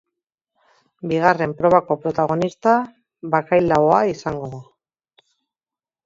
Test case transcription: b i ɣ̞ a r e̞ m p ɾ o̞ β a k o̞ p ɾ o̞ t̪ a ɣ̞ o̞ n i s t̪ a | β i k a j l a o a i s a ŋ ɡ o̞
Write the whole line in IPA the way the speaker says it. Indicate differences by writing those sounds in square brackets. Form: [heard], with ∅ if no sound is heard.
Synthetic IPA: b i ɣ̞ a r e̞ m p ɾ o̞ β a k o̞ p ɾ o̞ t̪ a ɣ̞ o̞ n i s t̪ a | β [a] k a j l a o a i s a ŋ ɡ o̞